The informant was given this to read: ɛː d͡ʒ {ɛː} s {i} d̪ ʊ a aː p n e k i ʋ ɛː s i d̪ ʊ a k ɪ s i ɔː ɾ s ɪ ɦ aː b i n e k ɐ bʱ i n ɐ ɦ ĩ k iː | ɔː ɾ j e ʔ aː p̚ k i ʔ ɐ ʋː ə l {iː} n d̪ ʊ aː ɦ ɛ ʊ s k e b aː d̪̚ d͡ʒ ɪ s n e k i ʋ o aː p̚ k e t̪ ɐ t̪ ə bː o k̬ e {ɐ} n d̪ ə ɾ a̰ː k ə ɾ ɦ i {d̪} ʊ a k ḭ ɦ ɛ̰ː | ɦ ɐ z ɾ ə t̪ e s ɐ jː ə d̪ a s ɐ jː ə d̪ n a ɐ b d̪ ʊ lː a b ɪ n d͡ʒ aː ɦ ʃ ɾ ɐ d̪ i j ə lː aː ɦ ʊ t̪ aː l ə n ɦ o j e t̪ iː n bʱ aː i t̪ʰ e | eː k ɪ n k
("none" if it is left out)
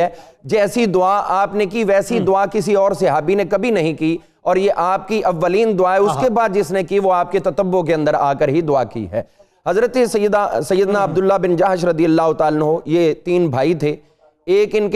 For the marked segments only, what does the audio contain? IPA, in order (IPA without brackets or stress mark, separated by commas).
ɛː, i, iː, ɐ̃, d̪